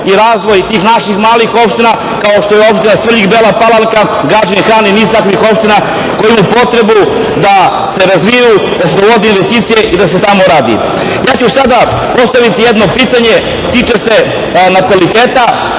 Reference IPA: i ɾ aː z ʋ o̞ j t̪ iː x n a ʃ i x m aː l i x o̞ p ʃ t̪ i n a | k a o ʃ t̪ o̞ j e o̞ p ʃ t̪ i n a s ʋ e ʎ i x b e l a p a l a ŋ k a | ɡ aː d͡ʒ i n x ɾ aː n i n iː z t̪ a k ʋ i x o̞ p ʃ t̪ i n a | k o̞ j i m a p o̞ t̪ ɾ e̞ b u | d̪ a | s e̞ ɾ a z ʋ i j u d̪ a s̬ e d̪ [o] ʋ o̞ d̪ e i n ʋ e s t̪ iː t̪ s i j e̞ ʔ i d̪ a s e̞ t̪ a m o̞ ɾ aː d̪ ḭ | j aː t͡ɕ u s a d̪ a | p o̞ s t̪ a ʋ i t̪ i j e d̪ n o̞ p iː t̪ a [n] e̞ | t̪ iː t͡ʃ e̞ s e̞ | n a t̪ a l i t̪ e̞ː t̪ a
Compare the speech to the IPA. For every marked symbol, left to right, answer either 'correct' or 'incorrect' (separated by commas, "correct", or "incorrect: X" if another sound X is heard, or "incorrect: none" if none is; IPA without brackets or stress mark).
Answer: correct, incorrect: ɲ